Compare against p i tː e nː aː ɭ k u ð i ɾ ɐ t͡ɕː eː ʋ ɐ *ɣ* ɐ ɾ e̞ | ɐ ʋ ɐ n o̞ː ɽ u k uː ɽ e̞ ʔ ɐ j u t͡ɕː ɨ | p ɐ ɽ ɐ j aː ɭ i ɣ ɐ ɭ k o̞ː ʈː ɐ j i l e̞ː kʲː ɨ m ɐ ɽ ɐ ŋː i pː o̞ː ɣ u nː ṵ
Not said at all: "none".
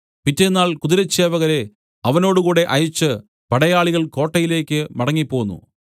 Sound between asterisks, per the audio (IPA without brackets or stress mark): ɣ